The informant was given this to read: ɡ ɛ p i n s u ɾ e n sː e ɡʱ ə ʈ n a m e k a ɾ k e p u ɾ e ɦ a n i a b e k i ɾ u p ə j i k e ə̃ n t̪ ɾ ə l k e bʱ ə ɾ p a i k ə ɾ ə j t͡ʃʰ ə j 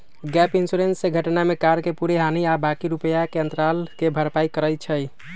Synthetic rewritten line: ɡ ɛ p i n s u ɾ e n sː e ɡʱ ə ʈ n a m e k a ɾ k e p u ɾ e ɦ a n i a b a k i ɾ u p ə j a k e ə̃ n t̪ ɾ a l k e bʱ ə ɾ p a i k ə ɾ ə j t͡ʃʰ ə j